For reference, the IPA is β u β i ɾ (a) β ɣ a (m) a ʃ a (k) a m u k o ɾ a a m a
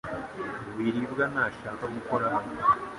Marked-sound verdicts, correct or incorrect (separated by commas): incorrect, incorrect, correct